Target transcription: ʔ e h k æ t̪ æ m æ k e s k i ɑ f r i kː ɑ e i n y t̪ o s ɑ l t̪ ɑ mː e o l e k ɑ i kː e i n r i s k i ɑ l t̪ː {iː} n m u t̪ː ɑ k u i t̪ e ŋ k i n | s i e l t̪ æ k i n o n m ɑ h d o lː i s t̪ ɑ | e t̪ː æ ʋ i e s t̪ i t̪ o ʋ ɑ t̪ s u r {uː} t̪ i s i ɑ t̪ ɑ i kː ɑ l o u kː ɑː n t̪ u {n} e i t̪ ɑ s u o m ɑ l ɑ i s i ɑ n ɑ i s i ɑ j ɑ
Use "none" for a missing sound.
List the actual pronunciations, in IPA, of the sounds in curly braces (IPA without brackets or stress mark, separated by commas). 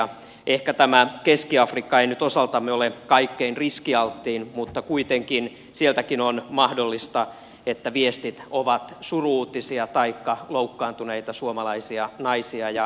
iː, uː, n